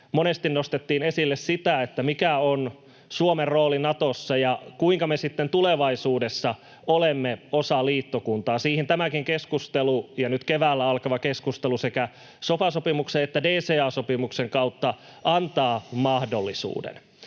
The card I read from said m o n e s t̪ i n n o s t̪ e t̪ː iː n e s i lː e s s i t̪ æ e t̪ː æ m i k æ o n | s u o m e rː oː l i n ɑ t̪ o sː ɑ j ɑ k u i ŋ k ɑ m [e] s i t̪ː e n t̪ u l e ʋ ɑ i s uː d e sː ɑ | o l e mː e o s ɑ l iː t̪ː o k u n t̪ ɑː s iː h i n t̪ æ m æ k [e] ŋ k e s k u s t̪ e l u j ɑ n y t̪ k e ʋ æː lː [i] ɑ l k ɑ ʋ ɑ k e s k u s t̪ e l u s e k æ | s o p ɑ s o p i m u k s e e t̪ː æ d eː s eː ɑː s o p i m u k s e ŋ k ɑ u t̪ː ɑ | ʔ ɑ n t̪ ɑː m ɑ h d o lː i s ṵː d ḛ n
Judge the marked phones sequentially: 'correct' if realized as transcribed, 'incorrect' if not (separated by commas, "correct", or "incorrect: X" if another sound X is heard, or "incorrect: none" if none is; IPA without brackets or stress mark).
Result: correct, incorrect: i, incorrect: æ